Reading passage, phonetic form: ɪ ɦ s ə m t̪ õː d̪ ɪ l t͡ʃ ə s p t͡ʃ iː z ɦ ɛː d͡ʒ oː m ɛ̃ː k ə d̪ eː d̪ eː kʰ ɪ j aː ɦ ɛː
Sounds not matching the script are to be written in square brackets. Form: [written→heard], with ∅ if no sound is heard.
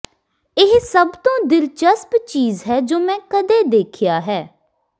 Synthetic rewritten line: ɪ ɦ s ə [m→b] t̪ õː d̪ ɪ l t͡ʃ ə s p t͡ʃ iː z ɦ ɛː d͡ʒ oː m ɛ̃ː k ə d̪ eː d̪ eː kʰ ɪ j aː ɦ ɛː